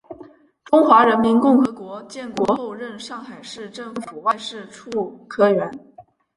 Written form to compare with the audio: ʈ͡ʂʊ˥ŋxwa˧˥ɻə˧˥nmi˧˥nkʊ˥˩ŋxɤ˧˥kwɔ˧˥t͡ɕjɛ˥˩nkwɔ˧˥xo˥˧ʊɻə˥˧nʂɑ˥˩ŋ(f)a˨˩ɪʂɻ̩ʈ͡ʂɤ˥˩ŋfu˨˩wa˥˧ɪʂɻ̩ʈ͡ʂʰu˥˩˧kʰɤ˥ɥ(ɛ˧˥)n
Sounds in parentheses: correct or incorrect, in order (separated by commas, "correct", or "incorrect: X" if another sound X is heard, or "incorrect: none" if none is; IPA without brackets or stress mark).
incorrect: x, correct